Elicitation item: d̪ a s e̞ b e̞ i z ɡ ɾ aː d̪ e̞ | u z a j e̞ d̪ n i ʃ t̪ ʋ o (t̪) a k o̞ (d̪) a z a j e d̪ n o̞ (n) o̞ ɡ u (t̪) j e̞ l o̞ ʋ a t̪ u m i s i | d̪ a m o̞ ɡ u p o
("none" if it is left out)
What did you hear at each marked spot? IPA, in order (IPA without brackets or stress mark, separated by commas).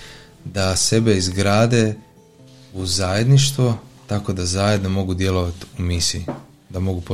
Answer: t̪, d̪, m, d̪